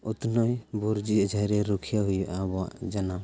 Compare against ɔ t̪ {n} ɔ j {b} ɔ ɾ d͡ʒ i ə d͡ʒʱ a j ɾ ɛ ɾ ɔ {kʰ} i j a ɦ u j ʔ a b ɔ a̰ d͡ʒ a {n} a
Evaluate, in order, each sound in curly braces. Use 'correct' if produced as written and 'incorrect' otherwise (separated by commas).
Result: correct, correct, correct, correct